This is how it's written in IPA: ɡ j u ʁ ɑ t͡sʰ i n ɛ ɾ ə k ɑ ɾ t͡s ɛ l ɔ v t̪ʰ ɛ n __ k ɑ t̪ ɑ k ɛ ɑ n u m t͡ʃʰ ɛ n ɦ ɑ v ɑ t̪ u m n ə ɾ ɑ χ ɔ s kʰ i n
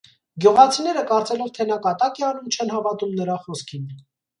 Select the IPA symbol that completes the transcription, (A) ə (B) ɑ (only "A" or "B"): B